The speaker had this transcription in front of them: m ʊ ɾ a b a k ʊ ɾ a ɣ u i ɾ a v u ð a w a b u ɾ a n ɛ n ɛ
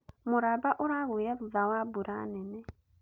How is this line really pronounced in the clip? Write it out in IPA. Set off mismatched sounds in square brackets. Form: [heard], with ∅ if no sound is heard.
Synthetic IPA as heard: m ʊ ɾ a b a [ʔ] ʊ ɾ a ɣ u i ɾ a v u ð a w a b u ɾ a n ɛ n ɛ